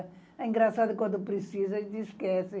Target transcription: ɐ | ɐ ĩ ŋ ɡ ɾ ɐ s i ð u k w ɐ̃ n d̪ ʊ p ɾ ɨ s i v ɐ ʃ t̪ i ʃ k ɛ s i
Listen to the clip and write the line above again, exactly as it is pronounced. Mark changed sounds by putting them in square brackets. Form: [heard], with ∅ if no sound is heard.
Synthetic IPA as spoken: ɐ | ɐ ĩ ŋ ɡ ɾ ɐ s [a] ð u k w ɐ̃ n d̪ [u] p ɾ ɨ s i [z] ɐ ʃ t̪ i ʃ k ɛ s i